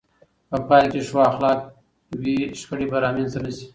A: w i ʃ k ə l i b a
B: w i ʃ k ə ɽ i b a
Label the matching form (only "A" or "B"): B